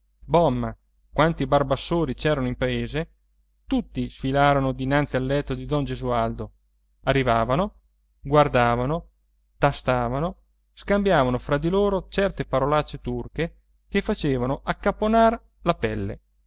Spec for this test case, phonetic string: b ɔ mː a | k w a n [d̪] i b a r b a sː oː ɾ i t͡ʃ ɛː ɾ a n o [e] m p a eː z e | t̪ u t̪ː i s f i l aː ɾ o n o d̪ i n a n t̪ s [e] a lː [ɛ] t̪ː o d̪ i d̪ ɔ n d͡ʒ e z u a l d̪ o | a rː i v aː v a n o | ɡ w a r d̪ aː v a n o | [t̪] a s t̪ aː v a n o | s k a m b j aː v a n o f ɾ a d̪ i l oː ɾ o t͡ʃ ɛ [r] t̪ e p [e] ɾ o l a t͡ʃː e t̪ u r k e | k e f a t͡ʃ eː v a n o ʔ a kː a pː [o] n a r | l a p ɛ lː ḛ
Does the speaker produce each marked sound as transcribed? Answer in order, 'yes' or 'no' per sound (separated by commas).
no, no, no, yes, yes, yes, no, yes